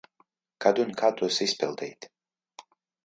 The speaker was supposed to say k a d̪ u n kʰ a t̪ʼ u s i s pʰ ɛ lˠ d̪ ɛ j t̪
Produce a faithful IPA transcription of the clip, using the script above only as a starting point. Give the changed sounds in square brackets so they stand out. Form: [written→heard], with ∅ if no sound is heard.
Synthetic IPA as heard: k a d̪ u n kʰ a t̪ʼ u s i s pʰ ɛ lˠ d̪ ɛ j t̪